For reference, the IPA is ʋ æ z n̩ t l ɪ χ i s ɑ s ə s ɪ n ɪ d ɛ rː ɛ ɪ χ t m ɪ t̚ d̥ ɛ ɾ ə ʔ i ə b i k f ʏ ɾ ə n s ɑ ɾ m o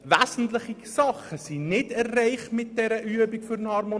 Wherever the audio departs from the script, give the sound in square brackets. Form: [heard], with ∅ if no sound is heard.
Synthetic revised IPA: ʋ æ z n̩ t l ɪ χ i s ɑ [χ] ə s [i] n ɪ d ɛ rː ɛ ɪ χ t m ɪ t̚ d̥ ɛ ɾ ə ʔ [y] ə b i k f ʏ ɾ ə n [h] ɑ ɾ m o

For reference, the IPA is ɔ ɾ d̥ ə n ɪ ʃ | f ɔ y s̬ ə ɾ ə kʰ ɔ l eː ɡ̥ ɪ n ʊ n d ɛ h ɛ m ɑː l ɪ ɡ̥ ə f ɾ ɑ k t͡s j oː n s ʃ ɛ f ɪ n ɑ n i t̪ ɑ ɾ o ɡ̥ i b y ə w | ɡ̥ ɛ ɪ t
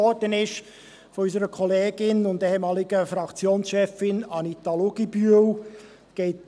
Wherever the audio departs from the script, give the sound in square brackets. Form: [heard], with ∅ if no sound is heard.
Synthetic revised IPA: ɔ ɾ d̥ ə n ɪ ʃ | f ɔ y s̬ ə ɾ ə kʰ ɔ l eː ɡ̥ ɪ n ʊ n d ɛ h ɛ m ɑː l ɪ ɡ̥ ə f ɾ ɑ k t͡s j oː n s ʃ ɛ f ɪ n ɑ n i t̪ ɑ [l] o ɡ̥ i b y ə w | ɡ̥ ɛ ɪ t

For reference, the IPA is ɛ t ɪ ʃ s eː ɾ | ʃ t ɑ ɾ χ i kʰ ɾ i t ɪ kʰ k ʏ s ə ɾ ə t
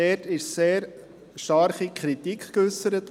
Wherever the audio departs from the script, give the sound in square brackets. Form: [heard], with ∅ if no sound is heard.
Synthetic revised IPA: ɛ t ɪ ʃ s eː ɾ | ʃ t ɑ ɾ χ i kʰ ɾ i t [i] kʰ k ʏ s ə ɾ ə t

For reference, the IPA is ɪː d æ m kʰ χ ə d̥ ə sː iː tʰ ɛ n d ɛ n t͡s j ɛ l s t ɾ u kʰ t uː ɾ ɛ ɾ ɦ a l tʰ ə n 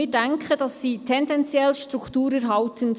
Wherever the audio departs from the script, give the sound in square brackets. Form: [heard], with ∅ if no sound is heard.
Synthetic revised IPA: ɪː d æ [ŋ] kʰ χ ə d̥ [ɑ] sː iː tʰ ɛ n d ɛ n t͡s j ɛ l [ʃ] t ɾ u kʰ t uː ɾ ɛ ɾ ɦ [ɑ] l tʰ ə n

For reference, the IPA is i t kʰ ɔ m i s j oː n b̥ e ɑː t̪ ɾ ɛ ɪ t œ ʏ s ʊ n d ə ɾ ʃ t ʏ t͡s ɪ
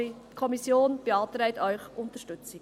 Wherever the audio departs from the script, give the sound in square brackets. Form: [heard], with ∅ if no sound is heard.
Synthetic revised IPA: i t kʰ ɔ m i s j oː n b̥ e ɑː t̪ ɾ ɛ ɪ t œ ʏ [χ] ʊ n [t] ə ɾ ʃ t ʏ t͡s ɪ

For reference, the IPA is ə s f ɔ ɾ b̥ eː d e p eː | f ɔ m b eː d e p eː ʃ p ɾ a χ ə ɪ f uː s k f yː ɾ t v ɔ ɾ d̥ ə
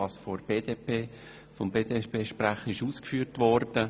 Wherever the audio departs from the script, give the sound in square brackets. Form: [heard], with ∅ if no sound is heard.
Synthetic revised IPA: [ɑ] s f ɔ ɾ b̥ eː d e p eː | f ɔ m b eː d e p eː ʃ p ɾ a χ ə ɪ [ʃ] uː s k f yː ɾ t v ɔ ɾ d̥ ə

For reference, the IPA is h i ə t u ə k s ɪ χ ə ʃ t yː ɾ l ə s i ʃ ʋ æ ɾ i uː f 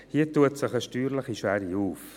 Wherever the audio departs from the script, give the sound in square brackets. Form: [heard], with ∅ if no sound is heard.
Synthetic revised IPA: h i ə t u ə [t] s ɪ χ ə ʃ t yː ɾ l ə [χ] i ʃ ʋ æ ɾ i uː f

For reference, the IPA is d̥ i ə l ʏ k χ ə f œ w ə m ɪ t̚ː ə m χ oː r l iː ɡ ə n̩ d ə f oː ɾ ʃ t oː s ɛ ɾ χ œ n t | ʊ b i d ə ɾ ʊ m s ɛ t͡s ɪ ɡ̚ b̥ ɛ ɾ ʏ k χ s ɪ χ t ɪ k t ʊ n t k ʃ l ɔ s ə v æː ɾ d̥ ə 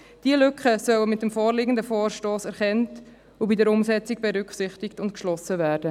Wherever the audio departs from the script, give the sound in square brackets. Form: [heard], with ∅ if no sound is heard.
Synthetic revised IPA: d̥ i ə l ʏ k χ ə [s] œ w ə m ɪ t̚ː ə m [f] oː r l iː ɡ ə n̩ d ə f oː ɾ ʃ t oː s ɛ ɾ χ [ɛ] n t | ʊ b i d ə ɾ ʊ m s ɛ t͡s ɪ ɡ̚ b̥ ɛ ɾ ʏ k χ s ɪ χ t ɪ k t ʊ n t k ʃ l ɔ s ə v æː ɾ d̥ ə

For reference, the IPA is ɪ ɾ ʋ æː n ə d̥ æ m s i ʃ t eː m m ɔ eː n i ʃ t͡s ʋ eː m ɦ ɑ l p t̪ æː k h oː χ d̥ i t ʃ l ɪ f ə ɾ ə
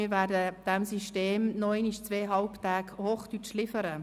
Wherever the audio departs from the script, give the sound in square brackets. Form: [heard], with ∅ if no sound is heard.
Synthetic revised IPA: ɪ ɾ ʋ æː [d] ə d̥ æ m s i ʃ t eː m [n] ɔ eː n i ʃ t͡s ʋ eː [∅] ɦ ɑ l p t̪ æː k h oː χ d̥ [y] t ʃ l ɪ f ə ɾ ə

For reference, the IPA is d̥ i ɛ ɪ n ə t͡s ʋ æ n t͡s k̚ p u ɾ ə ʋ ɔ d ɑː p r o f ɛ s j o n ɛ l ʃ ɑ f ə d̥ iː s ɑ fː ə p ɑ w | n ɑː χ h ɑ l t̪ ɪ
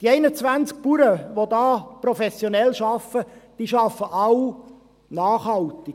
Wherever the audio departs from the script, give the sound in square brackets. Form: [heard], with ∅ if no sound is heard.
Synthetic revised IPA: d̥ i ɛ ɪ n ə t͡s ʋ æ n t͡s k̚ p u ɾ ə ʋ [o] d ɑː p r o f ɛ s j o n ɛ l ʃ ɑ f ə d̥ iː [ʃ] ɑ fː ə [ʔ] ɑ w | n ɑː χ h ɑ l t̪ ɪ

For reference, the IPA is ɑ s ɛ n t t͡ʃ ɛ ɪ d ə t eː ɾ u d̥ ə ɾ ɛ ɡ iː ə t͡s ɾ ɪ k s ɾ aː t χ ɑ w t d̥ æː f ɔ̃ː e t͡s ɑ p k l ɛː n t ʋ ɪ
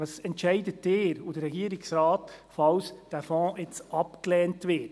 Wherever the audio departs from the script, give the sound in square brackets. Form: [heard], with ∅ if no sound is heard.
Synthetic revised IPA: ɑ s ɛ n t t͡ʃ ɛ ɪ d ə t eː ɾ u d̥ ə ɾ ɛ ɡ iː ə [∅] ɾ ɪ k s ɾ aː t [f] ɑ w [s] d̥ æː f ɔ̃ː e t͡s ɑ p k l ɛː n t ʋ ɪ

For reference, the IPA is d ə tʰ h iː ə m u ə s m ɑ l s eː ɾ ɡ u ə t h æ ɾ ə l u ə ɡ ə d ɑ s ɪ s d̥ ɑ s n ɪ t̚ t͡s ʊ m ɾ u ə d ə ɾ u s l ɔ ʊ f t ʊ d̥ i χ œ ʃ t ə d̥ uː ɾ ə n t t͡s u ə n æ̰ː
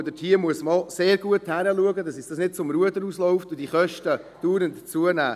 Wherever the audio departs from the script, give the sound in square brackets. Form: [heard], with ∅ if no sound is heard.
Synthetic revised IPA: d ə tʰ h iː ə m u ə s m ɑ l s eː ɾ ɡ u ə t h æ ɾ ə l u ə ɡ ə d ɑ s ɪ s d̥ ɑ s n ɪ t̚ t͡s ʊ m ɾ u ə d ə ɾ u s l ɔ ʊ f t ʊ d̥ i χ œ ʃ t ə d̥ uː ɾ ə n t t͡s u ə n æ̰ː

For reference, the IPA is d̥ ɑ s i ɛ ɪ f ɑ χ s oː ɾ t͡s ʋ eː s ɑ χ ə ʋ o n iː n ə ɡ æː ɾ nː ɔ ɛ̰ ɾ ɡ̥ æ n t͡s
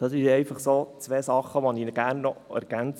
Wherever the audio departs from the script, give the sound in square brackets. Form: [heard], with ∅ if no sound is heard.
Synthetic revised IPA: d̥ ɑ s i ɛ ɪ f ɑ χ s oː [∅] t͡s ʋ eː s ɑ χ ə ʋ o n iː n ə ɡ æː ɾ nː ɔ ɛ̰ ɾ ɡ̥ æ n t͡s

